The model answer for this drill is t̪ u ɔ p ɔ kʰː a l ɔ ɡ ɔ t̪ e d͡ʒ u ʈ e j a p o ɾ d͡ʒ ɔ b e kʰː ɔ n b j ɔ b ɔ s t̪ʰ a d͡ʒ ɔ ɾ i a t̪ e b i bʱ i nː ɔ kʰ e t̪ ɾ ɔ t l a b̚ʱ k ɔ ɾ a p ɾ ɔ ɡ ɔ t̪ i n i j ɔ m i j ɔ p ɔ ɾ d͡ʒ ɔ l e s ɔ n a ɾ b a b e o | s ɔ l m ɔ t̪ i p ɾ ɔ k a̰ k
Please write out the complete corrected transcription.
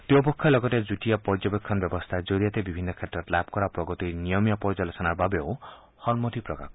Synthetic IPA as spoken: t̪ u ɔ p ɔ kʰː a l ɔ ɡ ɔ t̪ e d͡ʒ u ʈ i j a p ɔ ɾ d͡ʒ ɔ b e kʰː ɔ n b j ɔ b ɔ s t̪ʰ a d͡ʒ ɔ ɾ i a t̪ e b i bʱ i nː ɔ kʰ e t̪ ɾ ɔ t l a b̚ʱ k ɔ ɾ a p ɾ ɔ ɡ ɔ t̪ i n i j ɔ m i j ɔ p ɔ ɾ d͡ʒ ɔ l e s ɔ n a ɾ b a b e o | h ɔ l m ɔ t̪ i p ɾ ɔ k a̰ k

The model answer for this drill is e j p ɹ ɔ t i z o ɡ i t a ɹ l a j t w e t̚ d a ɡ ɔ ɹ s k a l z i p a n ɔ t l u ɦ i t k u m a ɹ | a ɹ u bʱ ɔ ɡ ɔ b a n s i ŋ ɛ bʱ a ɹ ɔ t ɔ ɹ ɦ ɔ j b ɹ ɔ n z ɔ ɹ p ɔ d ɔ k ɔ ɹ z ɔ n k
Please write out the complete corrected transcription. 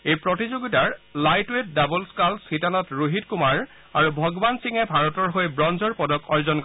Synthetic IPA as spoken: e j p ɹ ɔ t i z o ɡ i t a ɹ l a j t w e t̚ d a b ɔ l s k a l s i t a n ɔ t ɹ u ɦ i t k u m a ɹ | a ɹ u bʱ ɔ ɡ ɔ b a n s i ŋ ɛ bʱ a ɹ ɔ t ɔ ɹ ɦ o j b ɹ ɔ n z ɔ ɹ p ɔ d ɔ k ɔ ɹ z ɔ n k

